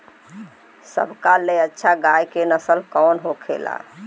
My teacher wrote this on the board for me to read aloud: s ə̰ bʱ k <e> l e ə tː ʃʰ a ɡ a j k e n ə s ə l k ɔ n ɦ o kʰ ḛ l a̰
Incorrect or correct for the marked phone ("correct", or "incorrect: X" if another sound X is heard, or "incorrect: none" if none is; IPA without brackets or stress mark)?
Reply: incorrect: a